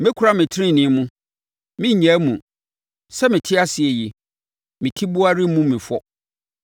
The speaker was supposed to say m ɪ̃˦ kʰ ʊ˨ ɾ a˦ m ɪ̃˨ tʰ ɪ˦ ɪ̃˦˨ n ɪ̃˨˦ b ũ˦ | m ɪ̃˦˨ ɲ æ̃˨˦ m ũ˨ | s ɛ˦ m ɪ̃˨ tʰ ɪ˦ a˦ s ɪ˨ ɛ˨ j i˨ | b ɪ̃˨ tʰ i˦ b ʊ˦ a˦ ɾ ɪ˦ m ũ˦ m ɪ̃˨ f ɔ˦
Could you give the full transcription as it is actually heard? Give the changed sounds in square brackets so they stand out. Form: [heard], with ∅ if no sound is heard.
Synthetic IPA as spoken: m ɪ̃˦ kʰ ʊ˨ ɾ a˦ m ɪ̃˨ tʰ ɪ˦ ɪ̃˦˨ n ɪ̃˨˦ [m] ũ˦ | m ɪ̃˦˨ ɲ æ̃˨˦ m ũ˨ | s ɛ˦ m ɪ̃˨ tʰ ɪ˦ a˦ s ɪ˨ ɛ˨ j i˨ | [m] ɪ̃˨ tʰ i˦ b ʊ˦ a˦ ɾ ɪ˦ m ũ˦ m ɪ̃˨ f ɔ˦